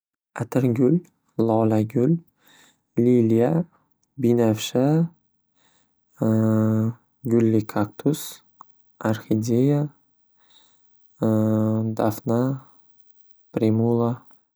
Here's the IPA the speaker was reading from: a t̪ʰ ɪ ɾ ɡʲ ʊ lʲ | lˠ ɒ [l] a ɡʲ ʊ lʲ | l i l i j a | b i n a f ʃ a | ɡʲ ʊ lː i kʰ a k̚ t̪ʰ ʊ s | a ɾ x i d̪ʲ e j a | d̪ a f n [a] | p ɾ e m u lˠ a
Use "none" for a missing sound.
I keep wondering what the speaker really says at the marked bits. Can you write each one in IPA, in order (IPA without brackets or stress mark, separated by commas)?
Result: l, a